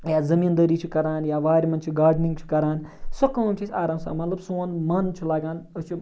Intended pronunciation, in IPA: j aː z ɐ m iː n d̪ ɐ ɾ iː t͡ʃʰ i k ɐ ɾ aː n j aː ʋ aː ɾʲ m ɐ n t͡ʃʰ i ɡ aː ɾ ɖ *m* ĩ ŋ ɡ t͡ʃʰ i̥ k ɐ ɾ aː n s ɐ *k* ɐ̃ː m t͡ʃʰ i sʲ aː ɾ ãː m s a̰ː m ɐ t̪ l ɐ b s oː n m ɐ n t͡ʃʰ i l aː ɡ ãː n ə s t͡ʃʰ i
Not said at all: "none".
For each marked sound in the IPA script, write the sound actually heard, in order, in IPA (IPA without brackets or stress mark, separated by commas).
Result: n, k